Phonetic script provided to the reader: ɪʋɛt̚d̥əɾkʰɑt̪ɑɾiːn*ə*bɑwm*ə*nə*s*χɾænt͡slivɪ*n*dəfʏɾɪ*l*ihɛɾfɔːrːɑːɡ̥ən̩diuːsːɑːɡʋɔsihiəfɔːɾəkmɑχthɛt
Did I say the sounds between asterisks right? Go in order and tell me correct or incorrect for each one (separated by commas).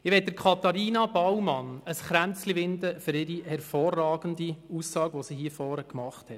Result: incorrect, incorrect, correct, correct, incorrect